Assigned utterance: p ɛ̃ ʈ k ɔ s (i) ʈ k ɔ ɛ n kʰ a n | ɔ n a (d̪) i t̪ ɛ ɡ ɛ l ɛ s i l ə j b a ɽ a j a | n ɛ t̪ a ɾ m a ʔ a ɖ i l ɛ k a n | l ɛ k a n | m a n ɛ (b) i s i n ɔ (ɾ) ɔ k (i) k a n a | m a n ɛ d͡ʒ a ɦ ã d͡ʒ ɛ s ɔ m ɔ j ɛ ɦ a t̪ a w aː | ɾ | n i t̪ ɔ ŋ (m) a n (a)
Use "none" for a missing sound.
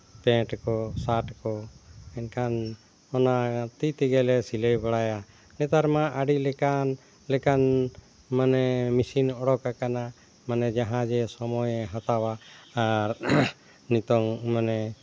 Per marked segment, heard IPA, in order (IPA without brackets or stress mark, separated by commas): a, t̪, m, ɽ, a, m, ɛ